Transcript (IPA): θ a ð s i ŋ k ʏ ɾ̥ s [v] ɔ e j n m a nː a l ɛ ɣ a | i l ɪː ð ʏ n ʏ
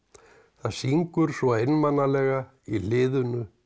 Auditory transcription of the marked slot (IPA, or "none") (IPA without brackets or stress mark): v